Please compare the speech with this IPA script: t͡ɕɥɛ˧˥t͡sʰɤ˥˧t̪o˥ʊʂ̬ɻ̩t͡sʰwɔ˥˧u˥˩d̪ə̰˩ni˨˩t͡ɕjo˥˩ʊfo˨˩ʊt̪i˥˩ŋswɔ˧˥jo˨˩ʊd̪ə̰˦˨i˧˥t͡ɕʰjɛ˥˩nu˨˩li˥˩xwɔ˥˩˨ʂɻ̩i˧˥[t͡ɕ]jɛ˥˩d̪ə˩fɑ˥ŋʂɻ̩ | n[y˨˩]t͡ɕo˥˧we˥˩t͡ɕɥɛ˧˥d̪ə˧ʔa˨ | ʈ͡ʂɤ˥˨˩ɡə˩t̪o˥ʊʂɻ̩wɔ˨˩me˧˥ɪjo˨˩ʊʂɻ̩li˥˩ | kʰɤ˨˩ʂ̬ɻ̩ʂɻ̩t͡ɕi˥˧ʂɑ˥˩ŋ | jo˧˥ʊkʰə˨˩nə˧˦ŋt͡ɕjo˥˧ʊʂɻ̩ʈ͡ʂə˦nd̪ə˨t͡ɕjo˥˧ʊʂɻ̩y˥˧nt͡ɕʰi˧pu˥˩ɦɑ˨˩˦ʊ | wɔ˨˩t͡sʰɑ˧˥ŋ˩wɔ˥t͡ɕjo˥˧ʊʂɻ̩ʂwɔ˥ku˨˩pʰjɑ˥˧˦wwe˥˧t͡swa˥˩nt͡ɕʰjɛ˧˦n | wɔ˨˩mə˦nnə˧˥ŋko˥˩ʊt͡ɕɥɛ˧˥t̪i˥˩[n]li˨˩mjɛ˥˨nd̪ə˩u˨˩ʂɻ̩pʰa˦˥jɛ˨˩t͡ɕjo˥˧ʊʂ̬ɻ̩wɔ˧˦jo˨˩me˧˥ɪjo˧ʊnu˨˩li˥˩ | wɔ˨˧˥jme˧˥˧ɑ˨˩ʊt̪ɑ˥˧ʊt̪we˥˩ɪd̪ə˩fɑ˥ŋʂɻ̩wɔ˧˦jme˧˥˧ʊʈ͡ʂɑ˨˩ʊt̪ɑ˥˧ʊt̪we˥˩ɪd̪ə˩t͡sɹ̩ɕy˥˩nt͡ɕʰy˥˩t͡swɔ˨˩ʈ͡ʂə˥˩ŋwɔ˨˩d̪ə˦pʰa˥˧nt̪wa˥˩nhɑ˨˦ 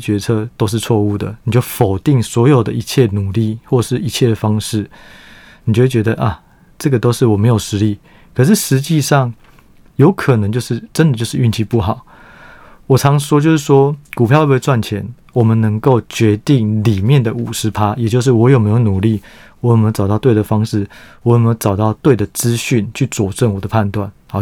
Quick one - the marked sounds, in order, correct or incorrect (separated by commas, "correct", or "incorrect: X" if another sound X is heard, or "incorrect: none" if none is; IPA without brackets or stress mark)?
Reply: incorrect: t͡ɕʰ, incorrect: i˨˩, incorrect: ŋ